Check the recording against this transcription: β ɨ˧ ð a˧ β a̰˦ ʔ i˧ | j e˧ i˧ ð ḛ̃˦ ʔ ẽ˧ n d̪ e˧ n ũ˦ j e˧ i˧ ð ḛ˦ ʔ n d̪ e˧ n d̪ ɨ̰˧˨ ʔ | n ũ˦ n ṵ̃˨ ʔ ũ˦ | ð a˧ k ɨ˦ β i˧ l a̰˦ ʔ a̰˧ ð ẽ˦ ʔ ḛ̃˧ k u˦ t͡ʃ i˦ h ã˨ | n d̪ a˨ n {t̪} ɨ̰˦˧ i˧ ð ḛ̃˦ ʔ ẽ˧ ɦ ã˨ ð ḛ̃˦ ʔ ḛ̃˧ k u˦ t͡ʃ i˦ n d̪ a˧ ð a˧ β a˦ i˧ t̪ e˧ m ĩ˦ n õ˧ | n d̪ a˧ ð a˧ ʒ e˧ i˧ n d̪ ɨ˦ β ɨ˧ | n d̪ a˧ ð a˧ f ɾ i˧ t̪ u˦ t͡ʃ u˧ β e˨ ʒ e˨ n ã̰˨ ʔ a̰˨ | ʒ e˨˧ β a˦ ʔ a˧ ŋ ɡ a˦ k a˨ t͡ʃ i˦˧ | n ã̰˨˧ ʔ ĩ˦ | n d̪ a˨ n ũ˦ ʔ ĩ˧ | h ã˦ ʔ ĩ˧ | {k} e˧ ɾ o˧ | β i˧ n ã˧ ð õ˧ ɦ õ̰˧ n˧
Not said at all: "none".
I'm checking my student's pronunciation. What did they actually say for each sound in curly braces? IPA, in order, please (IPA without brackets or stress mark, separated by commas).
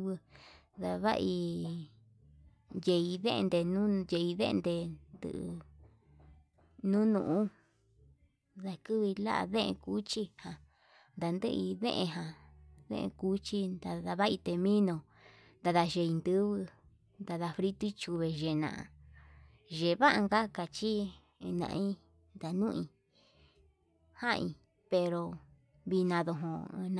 d̪, p